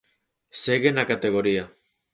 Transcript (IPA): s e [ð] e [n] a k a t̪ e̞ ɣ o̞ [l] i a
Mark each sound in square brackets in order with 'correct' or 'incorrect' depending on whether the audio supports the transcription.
incorrect, correct, incorrect

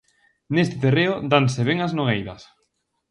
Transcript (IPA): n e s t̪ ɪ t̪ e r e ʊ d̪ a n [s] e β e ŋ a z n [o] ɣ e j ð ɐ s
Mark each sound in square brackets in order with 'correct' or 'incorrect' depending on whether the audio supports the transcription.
correct, correct

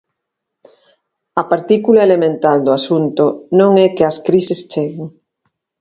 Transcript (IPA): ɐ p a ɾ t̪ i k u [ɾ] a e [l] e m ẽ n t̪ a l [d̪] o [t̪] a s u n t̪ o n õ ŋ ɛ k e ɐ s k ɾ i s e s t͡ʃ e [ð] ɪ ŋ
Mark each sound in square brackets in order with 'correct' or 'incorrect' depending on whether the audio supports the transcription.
incorrect, correct, correct, incorrect, incorrect

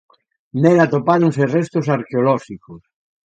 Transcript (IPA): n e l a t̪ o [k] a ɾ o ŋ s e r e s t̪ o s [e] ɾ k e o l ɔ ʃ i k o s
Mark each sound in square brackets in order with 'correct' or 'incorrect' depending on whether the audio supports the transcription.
incorrect, incorrect

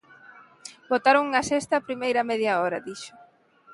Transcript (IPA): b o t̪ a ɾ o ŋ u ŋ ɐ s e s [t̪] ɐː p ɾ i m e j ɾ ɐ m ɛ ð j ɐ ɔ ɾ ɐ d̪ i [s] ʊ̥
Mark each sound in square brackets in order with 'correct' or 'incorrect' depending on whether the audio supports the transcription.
correct, incorrect

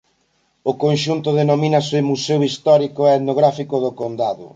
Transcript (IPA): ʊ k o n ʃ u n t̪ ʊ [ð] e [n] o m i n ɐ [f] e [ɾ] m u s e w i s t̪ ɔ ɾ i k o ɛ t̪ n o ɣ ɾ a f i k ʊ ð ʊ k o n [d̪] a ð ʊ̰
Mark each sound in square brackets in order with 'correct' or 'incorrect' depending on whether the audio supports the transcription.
correct, correct, incorrect, incorrect, correct

